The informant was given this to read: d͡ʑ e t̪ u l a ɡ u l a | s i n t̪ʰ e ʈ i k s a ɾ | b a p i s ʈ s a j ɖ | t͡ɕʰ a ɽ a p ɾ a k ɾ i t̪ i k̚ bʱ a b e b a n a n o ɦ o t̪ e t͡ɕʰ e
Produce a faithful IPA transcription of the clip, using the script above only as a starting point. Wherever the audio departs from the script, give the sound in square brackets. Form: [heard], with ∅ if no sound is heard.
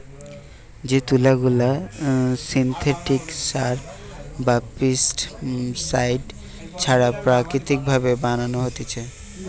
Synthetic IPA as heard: d͡ʑ e t̪ u l a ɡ u l a | s i n t̪ʰ e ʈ i k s a ɾ | b a p i s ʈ s a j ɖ | t͡ɕʰ a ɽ a p ɾ a k ɾ i t̪ i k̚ bʱ a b e b a n a n o ɦ o t̪ e t͡ɕʰ e